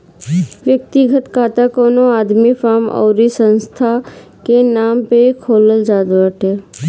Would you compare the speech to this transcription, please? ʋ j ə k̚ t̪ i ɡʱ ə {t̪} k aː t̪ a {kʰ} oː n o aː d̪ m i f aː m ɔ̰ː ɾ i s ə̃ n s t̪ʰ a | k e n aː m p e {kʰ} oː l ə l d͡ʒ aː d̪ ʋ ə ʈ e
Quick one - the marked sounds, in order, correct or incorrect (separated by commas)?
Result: correct, incorrect, correct